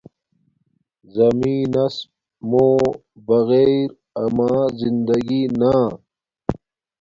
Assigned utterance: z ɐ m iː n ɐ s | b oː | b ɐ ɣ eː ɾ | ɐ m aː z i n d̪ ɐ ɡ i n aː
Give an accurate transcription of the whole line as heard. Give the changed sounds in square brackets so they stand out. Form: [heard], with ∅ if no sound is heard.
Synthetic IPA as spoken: z ɐ m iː n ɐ s | [m] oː | b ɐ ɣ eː ɾ | ɐ m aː z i n d̪ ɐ ɡ i n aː